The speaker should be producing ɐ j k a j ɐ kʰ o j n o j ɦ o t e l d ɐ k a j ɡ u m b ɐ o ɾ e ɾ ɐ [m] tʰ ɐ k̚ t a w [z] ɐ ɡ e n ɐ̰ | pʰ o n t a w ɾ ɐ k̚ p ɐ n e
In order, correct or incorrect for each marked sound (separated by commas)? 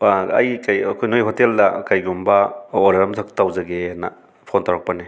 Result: correct, correct